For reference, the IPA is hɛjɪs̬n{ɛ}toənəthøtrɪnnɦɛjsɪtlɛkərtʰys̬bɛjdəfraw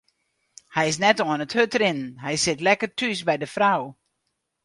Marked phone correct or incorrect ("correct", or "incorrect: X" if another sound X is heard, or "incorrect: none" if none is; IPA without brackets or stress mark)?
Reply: correct